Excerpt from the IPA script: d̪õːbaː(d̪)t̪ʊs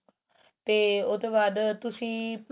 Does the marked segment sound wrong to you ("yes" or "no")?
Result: no